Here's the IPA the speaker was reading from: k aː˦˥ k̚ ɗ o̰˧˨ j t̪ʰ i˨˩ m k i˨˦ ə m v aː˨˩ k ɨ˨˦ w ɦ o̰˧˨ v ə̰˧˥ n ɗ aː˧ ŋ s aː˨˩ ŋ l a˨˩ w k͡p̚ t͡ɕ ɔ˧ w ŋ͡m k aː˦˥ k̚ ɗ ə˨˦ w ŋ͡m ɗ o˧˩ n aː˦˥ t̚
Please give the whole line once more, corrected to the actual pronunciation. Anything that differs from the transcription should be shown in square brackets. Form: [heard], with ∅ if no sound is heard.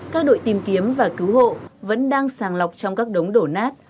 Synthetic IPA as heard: k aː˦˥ k̚ ɗ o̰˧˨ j [t̪] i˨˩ m k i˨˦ ə m v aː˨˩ k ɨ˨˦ w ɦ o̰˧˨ v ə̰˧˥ n ɗ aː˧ ŋ s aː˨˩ ŋ l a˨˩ w k͡p̚ t͡ɕ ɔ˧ w ŋ͡m k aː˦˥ k̚ ɗ ə˨˦ w ŋ͡m ɗ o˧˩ n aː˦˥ t̚